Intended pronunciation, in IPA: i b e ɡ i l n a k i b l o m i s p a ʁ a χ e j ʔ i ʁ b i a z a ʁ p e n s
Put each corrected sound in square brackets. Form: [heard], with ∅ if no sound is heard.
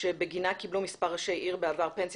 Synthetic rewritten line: [e] b e ɡ i [∅] n a k i b l [u] m i s p a ʁ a [ʃ] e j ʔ i ʁ b [e] a [v] a ʁ p e n s